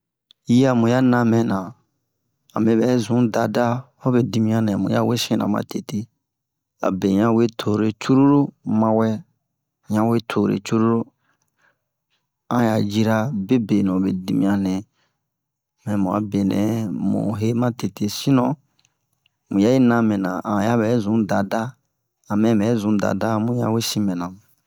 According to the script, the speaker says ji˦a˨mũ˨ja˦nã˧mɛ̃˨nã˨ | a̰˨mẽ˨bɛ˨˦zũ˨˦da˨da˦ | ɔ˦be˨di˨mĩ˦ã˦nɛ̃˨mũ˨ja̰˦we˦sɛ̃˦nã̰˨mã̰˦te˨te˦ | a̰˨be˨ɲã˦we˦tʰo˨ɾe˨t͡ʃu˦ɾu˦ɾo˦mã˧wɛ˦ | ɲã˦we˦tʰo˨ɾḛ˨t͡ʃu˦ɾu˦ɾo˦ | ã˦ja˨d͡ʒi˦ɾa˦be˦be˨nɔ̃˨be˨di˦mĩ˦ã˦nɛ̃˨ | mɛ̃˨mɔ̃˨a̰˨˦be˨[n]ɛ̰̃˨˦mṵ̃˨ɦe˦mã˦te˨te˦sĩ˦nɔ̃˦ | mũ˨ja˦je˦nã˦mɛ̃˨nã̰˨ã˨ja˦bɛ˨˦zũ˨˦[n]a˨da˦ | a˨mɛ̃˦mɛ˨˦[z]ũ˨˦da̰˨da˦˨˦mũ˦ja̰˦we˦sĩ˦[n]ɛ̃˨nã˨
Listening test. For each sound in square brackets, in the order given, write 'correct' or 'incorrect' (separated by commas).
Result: correct, incorrect, correct, incorrect